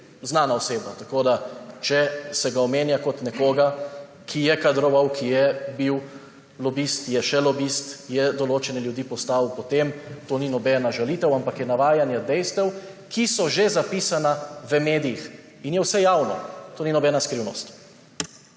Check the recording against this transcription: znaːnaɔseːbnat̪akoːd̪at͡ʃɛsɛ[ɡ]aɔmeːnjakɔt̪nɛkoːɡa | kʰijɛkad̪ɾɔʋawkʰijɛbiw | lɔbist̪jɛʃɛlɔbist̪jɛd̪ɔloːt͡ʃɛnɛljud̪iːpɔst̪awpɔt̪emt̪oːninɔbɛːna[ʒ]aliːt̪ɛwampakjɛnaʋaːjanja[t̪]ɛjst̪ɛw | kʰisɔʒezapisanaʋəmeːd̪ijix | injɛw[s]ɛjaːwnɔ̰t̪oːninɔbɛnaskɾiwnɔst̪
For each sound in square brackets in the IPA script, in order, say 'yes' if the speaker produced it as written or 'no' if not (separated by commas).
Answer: yes, yes, no, yes